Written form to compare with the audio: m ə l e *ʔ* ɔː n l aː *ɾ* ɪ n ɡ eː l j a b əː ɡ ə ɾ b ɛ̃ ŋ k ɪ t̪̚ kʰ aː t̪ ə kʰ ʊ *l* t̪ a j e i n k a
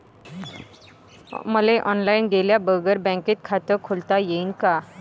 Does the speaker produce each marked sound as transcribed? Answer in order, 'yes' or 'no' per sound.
yes, no, yes

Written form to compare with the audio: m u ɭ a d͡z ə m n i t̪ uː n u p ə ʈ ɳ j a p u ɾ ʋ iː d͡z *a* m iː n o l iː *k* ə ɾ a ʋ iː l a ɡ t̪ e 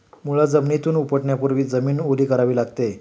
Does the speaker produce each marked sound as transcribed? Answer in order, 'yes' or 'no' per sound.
no, yes

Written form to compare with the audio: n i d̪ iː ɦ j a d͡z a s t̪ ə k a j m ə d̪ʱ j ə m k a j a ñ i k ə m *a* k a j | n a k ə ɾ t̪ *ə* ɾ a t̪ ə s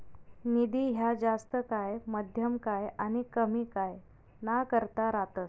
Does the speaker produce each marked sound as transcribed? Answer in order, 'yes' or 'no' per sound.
no, no

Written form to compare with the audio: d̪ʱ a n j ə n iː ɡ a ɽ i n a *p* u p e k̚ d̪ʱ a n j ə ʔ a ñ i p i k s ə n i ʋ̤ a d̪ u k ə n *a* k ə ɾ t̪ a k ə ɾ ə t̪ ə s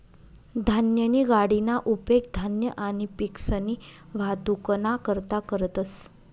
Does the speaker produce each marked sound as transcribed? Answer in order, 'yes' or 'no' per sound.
no, yes

